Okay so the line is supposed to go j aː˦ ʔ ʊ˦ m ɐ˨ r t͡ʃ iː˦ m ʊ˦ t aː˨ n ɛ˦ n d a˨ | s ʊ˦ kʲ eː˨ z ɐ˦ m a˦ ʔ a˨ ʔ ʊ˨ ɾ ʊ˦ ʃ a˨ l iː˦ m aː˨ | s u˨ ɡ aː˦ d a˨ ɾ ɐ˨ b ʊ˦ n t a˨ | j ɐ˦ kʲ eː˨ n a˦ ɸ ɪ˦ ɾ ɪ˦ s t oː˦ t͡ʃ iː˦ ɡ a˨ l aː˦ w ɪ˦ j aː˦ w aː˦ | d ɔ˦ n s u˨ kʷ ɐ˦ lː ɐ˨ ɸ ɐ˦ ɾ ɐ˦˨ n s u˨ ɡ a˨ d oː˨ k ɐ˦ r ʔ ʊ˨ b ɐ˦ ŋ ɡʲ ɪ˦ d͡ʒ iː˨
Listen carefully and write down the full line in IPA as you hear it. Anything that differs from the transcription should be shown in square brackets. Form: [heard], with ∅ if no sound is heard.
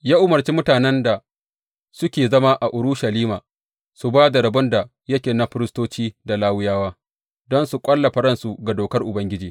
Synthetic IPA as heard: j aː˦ ʔ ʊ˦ m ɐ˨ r t͡ʃ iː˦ m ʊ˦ t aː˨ n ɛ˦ n d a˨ | s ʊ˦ kʲ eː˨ z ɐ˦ m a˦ ʔ a˨ ʔ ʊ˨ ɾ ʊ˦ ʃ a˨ l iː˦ m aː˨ | s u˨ [b] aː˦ d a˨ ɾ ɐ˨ b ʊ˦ n [d] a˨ | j ɐ˦ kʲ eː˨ n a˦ ɸ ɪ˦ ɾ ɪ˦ s t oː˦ t͡ʃ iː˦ [d] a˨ l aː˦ w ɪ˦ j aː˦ w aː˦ | d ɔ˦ n s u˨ [kʷʼ] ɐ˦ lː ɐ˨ ɸ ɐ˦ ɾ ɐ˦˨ n s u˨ ɡ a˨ d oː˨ k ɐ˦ r ʔ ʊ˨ b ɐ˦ ŋ ɡʲ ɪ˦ d͡ʒ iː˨